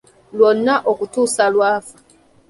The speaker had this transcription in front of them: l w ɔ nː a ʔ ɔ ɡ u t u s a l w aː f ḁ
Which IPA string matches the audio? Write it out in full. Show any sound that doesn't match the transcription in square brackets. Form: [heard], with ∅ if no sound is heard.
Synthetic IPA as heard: l w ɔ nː a ʔ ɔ [k] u t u s a l w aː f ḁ